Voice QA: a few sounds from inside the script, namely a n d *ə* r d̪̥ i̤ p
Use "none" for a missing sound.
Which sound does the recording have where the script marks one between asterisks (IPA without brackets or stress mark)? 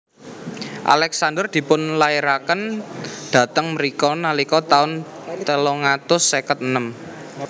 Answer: ə